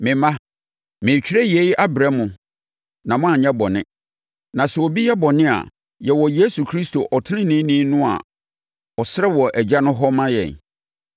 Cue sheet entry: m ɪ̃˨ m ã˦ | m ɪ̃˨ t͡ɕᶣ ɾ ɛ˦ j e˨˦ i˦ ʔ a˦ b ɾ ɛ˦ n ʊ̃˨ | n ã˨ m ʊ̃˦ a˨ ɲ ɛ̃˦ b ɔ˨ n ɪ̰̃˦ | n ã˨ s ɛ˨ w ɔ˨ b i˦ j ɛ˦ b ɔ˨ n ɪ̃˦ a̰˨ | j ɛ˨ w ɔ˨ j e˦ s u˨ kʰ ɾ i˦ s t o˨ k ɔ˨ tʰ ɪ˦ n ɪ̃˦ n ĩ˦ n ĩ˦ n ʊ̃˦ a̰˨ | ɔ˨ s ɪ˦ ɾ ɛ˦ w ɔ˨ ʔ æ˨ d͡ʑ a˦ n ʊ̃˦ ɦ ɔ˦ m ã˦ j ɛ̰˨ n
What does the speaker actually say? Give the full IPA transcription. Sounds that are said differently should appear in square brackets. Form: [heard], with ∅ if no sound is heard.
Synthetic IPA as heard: m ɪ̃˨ m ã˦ | m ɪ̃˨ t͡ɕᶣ ɾ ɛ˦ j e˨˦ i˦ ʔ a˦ b ɾ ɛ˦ [m] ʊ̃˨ | n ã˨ m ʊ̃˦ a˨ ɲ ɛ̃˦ b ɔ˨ n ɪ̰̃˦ | n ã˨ s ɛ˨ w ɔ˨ b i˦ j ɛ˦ b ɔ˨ n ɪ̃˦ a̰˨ | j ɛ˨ w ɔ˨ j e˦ s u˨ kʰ ɾ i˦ s t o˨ [ʔ] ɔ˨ tʰ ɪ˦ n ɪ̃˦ n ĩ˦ n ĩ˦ n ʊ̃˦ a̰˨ | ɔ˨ s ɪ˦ ɾ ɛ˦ w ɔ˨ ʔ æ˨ d͡ʑ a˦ n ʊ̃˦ ɦ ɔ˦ m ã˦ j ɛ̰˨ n